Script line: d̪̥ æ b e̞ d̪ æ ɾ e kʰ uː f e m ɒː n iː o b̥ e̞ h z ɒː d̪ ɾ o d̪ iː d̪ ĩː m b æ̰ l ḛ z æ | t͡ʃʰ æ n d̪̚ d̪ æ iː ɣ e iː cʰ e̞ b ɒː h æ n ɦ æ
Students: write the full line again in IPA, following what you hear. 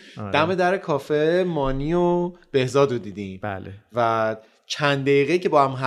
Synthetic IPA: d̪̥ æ m e̞ d̪ æ ɾ e kʰ ɒː f e m ɒː n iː o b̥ e̞ h z ɒː d̪ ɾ o d̪ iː d̪ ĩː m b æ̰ l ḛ v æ | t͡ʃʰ æ n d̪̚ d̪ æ iː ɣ e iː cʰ e̞ b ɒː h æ m ɦ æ